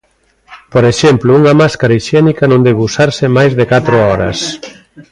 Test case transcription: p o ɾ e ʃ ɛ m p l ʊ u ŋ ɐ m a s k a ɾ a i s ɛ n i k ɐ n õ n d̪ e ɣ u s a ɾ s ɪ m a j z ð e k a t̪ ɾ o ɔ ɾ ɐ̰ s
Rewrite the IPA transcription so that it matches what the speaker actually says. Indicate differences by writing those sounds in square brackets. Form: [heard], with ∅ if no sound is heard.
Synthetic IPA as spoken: p o ɾ e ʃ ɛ m p l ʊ u ŋ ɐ m a s k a ɾ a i [ʃ] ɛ n i k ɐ n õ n d̪ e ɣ u s a ɾ s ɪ m a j z ð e k a t̪ ɾ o ɔ ɾ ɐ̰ s